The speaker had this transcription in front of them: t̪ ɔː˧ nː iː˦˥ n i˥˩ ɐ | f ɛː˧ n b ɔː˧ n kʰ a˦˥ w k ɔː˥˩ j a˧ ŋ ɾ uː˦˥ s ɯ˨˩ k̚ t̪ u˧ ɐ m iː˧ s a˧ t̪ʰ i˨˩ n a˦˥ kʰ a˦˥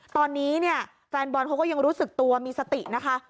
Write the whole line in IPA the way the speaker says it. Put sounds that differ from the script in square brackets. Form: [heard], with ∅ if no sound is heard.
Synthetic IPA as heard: t̪ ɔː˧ nː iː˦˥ n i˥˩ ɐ | f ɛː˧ n b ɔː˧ n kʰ a˦˥ w k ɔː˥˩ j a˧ ŋ ɾ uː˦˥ s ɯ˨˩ k̚ t̪ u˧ ɐ m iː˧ s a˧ [t̪] i˨˩ n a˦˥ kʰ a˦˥